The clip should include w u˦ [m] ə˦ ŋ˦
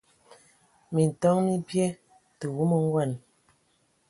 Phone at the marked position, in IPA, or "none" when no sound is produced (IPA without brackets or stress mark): m